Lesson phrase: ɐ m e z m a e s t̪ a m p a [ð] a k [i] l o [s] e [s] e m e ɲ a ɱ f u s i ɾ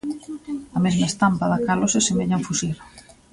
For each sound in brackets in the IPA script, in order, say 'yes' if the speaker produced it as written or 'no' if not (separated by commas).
yes, no, yes, yes